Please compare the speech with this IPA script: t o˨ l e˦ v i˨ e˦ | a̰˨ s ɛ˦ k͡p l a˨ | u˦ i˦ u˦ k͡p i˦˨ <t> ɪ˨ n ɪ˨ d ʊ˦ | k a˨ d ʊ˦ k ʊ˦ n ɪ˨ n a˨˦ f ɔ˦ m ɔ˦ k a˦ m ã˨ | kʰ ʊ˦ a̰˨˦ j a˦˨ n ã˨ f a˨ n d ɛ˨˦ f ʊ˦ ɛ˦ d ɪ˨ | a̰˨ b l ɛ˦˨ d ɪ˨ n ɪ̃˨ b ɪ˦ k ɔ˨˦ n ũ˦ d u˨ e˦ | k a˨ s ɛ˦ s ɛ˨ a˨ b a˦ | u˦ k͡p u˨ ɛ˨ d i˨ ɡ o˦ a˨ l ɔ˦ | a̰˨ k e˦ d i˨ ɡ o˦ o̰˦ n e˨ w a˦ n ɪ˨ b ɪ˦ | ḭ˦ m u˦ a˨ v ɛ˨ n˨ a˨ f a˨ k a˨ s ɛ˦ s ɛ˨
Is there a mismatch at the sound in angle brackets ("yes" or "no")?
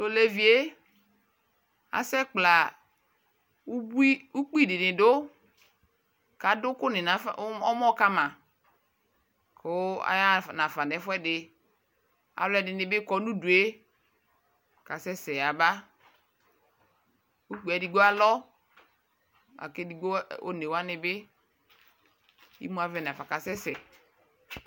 yes